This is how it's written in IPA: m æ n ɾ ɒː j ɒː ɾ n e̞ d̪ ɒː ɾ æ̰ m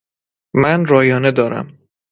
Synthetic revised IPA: m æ n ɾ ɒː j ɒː n e̞ d̪ ɒː ɾ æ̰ m